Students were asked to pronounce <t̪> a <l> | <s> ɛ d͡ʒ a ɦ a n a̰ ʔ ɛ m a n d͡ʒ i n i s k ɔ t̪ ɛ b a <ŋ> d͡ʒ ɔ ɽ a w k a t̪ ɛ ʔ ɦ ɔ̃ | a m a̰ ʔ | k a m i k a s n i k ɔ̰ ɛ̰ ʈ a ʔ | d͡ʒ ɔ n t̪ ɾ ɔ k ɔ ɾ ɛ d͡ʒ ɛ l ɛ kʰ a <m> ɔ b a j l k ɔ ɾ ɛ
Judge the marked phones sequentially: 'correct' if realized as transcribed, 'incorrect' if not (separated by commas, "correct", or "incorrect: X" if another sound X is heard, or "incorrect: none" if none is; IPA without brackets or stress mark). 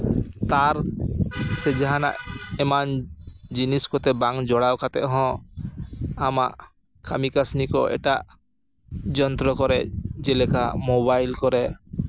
correct, incorrect: ɾ, correct, correct, correct